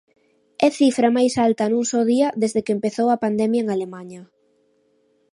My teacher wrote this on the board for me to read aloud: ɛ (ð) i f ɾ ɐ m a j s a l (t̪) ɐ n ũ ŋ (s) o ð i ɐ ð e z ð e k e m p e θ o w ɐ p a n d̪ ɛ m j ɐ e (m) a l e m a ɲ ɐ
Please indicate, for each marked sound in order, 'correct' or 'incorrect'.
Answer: incorrect: θ, correct, correct, incorrect: ŋ

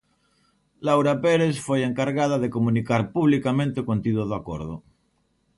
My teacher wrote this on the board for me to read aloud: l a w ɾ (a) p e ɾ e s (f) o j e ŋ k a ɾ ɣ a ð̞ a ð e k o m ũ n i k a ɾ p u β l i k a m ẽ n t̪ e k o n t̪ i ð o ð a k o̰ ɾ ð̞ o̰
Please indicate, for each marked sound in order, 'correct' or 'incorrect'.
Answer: correct, correct

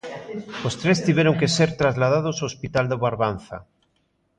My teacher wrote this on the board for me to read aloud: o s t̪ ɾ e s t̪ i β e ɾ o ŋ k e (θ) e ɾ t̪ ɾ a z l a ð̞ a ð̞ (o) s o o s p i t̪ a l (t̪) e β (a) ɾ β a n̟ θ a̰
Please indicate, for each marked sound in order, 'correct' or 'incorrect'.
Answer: incorrect: s, correct, incorrect: d̪, correct

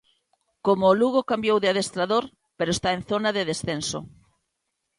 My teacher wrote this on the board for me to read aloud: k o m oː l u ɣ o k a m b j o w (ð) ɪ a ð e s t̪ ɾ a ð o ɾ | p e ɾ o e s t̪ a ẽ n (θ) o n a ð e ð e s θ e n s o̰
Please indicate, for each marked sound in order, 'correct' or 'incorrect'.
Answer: correct, correct

